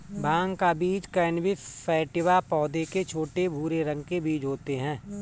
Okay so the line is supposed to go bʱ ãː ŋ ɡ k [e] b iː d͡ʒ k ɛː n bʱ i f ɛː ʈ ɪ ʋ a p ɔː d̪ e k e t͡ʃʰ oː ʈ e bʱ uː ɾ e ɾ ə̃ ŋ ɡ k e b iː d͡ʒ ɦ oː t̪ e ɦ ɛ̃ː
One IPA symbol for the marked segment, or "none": a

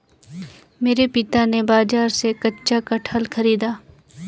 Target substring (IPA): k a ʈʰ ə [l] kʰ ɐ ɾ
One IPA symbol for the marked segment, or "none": l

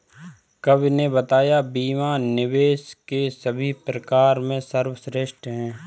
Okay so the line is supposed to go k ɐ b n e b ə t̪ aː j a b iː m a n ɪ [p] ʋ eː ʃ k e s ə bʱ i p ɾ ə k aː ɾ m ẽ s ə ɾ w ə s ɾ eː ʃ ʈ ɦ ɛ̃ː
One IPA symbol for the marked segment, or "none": none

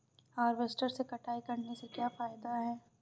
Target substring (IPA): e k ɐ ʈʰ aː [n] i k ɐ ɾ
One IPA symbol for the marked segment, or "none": none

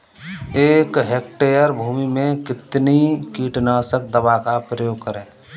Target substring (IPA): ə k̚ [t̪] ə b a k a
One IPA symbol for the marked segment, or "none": d̪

